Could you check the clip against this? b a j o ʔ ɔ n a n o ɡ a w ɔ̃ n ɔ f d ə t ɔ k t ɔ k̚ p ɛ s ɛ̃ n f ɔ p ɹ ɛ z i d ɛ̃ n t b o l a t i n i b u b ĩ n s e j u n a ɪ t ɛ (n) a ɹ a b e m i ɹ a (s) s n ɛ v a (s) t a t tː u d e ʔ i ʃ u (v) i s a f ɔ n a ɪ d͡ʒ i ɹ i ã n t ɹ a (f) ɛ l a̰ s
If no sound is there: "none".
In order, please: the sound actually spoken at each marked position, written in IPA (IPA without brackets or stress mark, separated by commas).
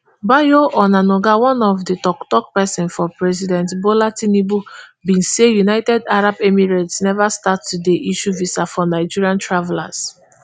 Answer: d, t, s, v, v